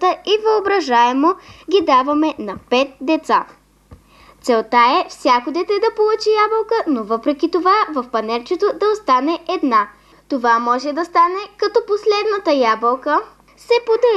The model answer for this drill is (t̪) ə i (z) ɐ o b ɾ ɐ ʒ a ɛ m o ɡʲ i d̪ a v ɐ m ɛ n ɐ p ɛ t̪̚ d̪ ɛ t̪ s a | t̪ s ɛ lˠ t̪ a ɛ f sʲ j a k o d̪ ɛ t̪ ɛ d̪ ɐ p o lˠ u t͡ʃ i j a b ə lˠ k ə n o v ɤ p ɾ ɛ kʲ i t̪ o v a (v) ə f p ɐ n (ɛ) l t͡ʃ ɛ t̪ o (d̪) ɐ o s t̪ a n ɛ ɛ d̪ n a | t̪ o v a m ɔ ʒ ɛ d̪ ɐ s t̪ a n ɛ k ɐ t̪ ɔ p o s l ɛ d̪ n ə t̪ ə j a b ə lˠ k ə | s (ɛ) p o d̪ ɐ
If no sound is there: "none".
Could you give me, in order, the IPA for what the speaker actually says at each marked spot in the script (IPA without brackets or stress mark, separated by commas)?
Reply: t̪, v, v, ɛ, d̪, ɛ